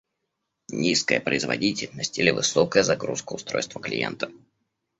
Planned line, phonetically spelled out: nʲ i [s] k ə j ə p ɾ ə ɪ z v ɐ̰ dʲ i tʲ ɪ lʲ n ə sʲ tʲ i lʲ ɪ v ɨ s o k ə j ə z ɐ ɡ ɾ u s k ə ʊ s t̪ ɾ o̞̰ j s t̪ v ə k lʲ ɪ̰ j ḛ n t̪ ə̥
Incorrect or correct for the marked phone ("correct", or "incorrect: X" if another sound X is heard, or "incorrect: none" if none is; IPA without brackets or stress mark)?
correct